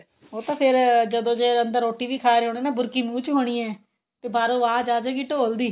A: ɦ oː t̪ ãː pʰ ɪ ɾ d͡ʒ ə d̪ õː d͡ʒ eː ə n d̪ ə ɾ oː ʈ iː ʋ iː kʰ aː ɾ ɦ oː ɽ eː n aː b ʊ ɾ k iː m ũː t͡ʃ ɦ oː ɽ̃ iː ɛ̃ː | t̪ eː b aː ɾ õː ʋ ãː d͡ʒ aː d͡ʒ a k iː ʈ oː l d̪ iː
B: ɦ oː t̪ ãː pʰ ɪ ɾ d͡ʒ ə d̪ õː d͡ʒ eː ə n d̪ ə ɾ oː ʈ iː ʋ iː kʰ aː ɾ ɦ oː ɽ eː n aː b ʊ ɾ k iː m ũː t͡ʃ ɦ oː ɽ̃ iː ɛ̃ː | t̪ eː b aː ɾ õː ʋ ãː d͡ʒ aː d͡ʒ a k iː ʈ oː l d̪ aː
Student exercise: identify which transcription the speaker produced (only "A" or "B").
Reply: A